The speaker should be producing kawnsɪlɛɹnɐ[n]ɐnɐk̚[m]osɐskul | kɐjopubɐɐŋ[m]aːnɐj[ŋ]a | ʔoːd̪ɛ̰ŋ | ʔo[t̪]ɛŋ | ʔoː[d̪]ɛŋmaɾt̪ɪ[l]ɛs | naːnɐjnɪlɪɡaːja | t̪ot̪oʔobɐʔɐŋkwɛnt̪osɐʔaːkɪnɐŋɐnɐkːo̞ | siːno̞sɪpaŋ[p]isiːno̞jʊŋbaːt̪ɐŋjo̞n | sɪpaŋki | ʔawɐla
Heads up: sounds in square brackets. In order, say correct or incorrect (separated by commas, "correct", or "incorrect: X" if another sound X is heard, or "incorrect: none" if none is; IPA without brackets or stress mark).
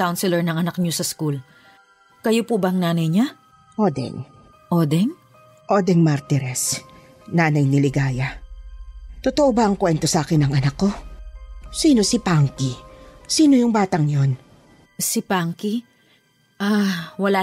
incorrect: ŋ, incorrect: ɲ, incorrect: n, incorrect: ɲ, incorrect: d̪, correct, incorrect: ɾ, incorrect: k